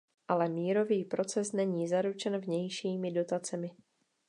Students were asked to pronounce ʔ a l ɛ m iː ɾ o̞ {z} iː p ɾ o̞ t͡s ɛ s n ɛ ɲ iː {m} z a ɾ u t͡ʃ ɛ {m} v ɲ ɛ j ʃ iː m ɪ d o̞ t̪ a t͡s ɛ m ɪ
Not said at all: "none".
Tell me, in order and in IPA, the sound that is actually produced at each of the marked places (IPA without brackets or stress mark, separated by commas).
v, none, n